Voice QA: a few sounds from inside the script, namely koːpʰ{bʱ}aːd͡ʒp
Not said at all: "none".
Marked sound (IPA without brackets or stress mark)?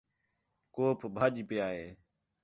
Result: bʱ